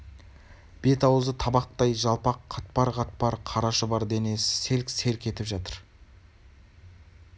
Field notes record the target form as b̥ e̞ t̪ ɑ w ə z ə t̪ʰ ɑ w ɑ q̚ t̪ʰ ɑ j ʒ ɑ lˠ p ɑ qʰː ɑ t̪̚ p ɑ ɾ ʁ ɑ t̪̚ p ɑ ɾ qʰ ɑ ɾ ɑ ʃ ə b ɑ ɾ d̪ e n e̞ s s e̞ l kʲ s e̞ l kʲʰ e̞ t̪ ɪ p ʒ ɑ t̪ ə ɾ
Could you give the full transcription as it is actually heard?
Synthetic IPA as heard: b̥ e̞ t̪ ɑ w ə z ə t̪ʰ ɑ b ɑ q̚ t̪ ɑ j ʒ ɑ lˠ p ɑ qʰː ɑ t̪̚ p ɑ ɾ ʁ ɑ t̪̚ p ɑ ɾ qʰ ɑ ɾ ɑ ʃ ə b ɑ ɾ d̪ e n e̞ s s e̞ l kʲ s e̞ l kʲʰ e̞ t̪ ɪ p ʒ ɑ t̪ ə ɾ